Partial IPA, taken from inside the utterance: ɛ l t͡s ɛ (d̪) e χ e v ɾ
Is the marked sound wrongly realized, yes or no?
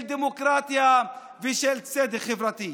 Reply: no